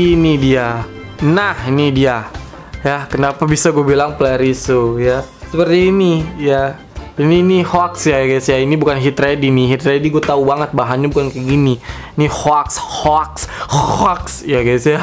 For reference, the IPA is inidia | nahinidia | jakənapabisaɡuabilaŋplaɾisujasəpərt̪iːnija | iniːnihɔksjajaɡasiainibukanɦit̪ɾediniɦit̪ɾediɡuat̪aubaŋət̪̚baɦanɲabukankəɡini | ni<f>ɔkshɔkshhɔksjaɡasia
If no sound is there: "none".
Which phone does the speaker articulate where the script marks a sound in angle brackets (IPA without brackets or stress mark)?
h